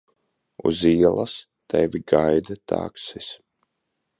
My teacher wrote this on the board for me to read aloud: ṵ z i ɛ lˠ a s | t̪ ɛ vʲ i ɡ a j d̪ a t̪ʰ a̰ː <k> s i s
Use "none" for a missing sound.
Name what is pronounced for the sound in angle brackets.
k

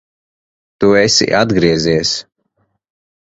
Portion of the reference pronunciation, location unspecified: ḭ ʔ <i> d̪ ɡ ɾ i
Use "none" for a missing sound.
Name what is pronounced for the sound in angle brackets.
a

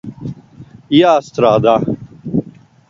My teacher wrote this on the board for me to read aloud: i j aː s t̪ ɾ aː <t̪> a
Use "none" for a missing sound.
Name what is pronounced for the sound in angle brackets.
d̪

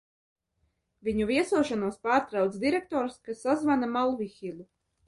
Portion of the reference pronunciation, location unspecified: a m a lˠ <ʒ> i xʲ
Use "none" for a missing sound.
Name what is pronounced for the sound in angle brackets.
v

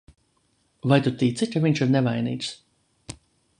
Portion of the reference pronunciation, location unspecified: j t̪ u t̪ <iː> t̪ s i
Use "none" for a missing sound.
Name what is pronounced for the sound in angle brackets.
iː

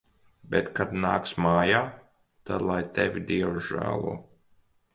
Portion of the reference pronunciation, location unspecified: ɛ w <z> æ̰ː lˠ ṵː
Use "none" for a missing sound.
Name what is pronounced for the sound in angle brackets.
ʒ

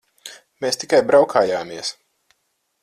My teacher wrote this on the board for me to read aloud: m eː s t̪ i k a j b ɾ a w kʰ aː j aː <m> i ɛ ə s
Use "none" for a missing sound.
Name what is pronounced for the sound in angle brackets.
m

